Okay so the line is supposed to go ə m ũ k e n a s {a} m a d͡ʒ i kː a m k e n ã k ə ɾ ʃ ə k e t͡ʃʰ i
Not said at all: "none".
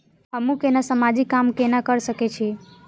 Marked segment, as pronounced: ə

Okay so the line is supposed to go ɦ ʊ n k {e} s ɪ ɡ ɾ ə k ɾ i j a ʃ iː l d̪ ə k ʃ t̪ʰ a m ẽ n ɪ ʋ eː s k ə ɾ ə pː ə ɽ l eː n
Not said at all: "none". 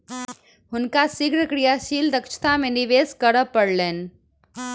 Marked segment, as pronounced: a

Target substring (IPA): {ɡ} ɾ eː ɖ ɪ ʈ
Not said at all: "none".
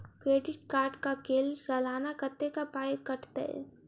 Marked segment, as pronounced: k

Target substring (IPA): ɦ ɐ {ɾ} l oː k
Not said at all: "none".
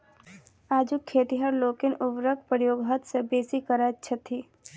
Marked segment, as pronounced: ɾ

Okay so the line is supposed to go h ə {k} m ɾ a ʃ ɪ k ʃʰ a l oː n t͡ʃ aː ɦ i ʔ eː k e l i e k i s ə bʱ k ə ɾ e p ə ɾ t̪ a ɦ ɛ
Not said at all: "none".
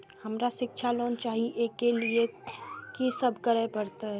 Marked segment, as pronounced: none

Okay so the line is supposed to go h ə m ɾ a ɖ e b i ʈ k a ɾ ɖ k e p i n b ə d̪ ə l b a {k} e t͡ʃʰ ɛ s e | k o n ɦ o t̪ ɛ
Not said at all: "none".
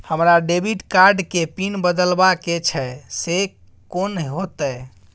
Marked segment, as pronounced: k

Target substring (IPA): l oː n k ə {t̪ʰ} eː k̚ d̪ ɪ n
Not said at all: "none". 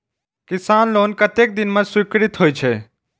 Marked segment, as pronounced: t̪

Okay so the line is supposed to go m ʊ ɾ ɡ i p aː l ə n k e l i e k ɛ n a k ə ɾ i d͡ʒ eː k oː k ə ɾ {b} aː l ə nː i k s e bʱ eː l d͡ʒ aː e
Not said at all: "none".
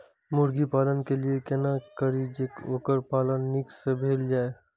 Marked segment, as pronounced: p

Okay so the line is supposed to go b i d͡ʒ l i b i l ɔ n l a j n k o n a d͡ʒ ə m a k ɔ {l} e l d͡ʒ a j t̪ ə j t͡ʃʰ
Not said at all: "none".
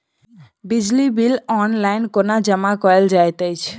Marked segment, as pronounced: none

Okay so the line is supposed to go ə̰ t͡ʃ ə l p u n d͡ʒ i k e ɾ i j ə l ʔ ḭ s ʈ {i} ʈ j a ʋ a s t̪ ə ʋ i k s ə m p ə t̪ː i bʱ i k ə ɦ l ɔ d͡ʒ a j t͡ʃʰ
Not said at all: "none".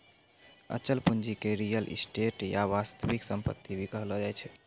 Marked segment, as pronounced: e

